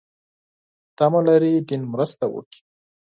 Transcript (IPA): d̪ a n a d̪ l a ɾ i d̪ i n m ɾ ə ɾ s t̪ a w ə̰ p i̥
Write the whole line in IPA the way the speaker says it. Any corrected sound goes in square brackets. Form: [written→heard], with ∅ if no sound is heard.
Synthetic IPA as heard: [d̪→t̪] a [n→m] a [d̪→∅] l a ɾ i d̪ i n m ɾ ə [ɾ→∅] s t̪ a w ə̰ [p→k] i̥

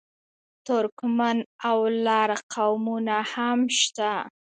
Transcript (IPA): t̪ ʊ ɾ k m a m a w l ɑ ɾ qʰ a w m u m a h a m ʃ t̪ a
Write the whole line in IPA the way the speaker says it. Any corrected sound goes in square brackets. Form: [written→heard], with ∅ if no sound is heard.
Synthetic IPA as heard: t̪ ʊ ɾ k m a [m→n] a w l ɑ ɾ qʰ a w m u [m→n] a h a m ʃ t̪ a

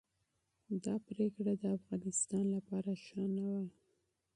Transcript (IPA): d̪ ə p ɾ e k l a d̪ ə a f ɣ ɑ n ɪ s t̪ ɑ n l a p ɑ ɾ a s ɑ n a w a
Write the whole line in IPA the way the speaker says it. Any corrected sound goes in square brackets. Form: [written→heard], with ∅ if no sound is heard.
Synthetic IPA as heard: d̪ [ə→ɑ] p ɾ e k [l→ɽ] a d̪ ə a f ɣ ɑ n ɪ s t̪ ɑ n l a p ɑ ɾ a [s→ʃ] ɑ n a w a

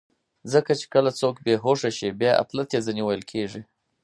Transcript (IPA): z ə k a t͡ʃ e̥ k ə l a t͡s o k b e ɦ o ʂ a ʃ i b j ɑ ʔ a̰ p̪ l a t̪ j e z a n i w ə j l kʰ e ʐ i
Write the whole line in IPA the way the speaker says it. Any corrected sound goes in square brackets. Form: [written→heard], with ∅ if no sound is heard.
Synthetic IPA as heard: z ə k a t͡ʃ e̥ k ə l a t͡s o k b e ɦ o ʂ a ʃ i b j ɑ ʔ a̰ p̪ l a t̪ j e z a n i w ə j l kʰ e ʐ i

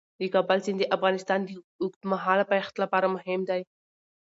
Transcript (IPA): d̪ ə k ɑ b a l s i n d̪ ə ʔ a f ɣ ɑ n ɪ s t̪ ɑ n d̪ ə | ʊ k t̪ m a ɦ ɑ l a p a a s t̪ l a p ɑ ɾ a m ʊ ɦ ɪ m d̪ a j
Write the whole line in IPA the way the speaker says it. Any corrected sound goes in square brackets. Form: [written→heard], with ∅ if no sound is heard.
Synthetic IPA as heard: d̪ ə k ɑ b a l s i n d̪ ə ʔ a f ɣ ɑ n ɪ s t̪ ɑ n d̪ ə | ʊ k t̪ m a ɦ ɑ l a p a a [s→x] t̪ l a p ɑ ɾ a m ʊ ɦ ɪ m d̪ a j

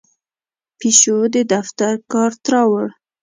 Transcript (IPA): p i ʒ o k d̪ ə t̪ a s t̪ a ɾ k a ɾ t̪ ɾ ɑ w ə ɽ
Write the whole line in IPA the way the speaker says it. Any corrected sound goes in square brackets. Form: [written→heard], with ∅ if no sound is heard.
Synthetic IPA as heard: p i [ʒ→ʃ] o [k→∅] d̪ ə [t̪→d̪] a [s→f] t̪ a ɾ k [a→ɑ] ɾ t̪ ɾ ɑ w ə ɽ

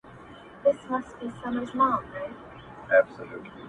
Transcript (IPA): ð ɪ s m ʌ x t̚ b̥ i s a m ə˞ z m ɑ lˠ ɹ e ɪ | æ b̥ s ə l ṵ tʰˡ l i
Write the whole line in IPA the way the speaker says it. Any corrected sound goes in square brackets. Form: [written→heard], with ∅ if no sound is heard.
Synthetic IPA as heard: ð ɪ s m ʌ [x→s] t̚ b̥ i s [a→ʌ] m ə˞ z m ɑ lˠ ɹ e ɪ | æ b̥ s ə l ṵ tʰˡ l i

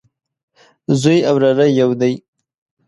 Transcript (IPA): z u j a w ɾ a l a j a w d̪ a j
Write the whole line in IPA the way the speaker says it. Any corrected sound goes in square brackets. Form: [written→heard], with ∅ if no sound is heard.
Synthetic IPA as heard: z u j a w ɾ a [l→ɾ] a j a w d̪ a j

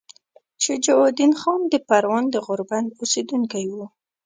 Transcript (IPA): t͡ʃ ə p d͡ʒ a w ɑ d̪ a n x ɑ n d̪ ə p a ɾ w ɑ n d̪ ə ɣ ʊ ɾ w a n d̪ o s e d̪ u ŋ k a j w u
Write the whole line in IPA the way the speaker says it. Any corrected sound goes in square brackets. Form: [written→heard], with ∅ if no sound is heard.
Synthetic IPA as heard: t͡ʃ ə [p→∅] d͡ʒ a w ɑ d̪ [a→i] n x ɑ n d̪ ə p a ɾ w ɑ n d̪ ə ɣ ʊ ɾ [w→b] a n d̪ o s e d̪ u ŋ k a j w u

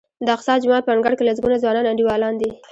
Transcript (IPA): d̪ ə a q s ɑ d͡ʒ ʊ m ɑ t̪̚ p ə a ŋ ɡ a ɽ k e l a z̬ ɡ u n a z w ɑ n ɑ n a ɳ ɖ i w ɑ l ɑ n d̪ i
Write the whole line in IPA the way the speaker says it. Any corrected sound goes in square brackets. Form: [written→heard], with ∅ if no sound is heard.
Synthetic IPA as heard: d̪ ə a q s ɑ d͡ʒ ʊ m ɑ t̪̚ p ə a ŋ ɡ a ɽ k e l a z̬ ɡ u n a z w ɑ n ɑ n a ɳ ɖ i w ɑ l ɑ n d̪ i

